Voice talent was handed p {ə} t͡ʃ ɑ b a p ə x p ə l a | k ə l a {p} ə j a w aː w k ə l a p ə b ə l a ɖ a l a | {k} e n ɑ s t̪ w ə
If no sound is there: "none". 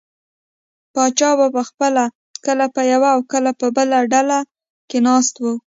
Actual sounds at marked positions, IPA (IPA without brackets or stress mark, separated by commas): ɑ, p, k